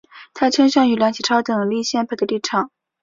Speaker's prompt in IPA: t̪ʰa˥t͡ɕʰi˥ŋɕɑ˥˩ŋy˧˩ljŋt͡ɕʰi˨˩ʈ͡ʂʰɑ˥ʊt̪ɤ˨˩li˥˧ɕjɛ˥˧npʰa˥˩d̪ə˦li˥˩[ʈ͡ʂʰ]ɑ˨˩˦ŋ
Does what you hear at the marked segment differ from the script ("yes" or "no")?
no